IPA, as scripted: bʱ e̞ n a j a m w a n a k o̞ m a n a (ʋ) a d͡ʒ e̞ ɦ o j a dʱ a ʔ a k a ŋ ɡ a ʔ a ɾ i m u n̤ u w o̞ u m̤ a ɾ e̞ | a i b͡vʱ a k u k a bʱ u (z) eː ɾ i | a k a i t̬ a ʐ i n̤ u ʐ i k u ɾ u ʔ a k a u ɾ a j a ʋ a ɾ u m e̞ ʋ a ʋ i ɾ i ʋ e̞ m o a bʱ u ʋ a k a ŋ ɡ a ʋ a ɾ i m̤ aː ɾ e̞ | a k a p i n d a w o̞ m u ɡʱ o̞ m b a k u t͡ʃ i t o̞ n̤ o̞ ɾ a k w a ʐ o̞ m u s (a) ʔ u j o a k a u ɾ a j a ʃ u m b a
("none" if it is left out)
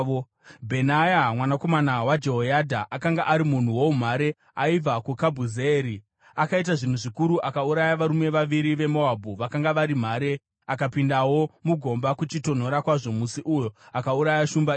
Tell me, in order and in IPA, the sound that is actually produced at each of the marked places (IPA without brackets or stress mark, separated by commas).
w, z, i